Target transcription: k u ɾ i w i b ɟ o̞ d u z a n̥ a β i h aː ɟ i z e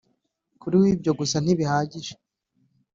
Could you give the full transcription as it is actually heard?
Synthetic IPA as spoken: k u ɾ i w i b ɟ o̞ ɡ u s a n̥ i β i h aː ɟ i ʒ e